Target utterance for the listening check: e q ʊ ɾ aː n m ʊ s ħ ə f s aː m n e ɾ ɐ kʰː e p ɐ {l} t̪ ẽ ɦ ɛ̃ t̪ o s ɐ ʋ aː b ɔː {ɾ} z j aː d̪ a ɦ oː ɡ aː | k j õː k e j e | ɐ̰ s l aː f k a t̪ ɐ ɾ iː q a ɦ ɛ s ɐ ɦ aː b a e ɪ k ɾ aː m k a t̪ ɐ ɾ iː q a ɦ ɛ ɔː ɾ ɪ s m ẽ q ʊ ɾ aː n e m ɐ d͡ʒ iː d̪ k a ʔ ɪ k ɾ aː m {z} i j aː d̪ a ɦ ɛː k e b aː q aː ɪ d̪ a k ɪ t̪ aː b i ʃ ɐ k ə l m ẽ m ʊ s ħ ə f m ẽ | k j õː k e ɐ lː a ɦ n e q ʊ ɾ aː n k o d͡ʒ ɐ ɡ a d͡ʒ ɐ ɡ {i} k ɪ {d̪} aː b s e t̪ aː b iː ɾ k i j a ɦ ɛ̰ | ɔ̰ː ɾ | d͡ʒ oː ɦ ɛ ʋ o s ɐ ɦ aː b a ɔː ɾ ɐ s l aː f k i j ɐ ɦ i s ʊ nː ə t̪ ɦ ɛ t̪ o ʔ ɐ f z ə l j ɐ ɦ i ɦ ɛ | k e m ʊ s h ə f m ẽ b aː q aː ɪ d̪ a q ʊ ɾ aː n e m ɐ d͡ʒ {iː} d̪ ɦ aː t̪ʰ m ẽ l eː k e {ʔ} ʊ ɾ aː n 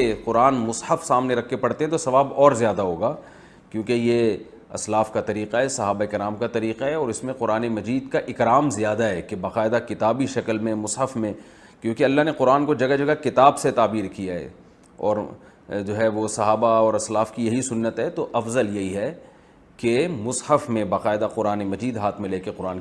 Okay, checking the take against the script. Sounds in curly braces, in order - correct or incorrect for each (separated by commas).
incorrect, correct, correct, incorrect, incorrect, correct, incorrect